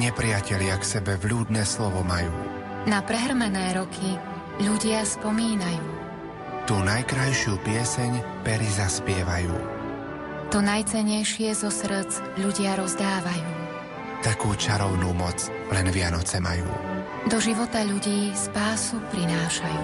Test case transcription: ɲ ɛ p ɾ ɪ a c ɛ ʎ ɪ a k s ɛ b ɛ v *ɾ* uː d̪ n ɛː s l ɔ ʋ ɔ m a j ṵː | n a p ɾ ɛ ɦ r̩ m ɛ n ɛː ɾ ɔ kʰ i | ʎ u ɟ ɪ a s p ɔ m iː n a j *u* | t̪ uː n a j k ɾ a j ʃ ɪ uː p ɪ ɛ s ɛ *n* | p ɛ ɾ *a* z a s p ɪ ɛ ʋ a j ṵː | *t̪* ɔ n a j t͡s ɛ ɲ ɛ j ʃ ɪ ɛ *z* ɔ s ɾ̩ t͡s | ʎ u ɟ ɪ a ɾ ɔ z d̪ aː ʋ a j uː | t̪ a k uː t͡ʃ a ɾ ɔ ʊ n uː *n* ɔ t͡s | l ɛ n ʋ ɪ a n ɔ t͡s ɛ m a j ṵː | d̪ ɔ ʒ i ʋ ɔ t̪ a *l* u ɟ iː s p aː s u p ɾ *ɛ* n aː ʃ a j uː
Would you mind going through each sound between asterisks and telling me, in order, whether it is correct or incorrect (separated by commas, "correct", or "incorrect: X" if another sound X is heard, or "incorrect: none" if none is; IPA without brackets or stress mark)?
incorrect: ʎ, incorrect: uː, incorrect: ɲ, incorrect: i, correct, correct, incorrect: m, incorrect: ʎ, incorrect: i